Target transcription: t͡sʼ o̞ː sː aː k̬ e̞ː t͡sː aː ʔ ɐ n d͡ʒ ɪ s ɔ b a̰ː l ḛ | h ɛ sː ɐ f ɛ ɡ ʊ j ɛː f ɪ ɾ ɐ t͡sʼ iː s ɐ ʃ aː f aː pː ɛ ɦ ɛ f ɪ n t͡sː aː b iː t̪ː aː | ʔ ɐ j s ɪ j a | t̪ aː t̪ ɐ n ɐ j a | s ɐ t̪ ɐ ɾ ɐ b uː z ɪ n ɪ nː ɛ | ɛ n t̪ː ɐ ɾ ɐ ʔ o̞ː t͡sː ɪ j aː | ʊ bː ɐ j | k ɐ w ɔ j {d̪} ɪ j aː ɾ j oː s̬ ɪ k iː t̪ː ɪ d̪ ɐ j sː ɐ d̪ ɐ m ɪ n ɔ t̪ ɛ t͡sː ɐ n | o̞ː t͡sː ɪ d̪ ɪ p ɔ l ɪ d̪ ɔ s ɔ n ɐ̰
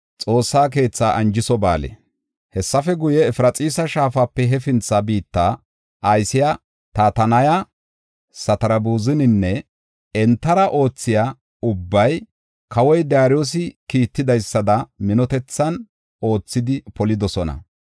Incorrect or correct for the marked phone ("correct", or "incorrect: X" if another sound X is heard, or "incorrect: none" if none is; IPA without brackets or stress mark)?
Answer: correct